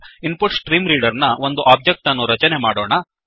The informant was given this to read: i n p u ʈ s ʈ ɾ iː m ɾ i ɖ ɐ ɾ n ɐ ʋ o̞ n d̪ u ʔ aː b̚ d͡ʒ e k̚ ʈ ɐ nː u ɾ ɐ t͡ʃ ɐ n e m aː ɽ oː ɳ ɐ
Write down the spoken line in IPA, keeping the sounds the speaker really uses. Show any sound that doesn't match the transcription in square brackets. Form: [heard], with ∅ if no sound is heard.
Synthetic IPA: i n p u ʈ s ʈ ɾ iː m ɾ [iː] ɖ ɐ ɾ n ɐ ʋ o̞ n d̪ u ʔ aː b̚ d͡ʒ e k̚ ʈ ɐ nː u ɾ ɐ t͡ʃ ɐ n e m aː ɽ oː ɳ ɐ